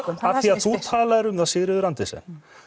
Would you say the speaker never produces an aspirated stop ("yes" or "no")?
no